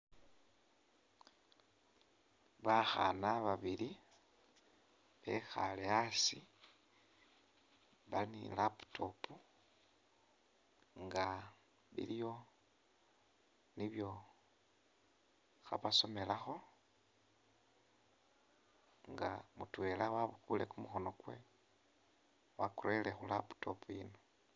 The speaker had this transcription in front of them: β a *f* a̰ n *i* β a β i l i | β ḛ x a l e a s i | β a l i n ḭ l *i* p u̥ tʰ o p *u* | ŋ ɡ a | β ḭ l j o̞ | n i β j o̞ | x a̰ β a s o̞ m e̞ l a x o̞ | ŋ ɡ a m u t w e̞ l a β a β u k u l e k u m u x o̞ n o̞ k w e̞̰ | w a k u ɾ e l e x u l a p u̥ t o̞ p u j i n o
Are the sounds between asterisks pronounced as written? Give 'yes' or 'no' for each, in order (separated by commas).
no, no, no, yes